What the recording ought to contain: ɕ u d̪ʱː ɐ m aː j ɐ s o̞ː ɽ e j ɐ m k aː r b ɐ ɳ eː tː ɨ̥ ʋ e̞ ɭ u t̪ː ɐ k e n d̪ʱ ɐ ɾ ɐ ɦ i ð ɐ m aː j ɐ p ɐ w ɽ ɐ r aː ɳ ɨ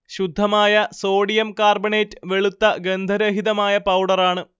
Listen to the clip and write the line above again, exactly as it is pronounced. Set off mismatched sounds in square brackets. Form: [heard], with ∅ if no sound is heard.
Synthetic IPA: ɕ u d̪ʱː ɐ m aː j ɐ s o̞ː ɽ [i] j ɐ m k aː r b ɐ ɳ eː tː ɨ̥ ʋ e̞ ɭ u t̪ː ɐ [ɡ] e n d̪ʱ ɐ ɾ ɐ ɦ i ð ɐ m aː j ɐ p ɐ w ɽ ɐ r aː ɳ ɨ